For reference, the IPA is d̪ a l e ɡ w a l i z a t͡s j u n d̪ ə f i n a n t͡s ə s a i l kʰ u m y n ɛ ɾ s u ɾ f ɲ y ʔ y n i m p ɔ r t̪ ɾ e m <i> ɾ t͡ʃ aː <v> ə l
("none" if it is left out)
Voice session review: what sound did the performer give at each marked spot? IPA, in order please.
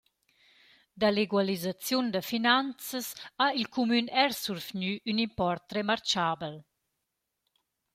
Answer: a, b

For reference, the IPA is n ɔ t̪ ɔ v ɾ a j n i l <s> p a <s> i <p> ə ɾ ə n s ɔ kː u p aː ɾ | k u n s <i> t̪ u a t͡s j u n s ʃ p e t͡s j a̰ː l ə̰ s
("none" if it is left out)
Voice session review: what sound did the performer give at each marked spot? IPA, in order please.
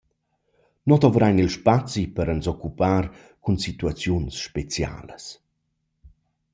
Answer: ʃ, t͡s, p, i

